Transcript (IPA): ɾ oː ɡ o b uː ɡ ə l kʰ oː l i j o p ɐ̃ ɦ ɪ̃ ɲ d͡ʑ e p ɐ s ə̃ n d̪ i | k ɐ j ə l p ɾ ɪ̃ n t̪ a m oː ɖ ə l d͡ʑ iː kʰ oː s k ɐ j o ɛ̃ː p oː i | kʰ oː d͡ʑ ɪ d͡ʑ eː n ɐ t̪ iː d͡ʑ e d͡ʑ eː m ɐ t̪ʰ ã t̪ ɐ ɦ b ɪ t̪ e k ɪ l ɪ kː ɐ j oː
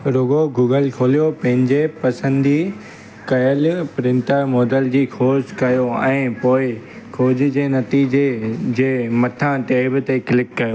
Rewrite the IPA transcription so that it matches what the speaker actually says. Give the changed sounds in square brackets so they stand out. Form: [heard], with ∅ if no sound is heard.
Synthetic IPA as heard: ɾ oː ɡ o [ɡ] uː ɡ ə l kʰ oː l i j o p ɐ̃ ɦ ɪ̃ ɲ d͡ʑ e p ɐ s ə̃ n d̪ i | k ɐ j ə l p ɾ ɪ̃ n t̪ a m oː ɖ ə l d͡ʑ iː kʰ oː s k ɐ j o ɛ̃ː p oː [ɪ] | kʰ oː d͡ʑ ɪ d͡ʑ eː n ɐ t̪ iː d͡ʑ e d͡ʑ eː m ɐ t̪ʰ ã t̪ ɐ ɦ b ɪ t̪ e k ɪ l ɪ kː ɐ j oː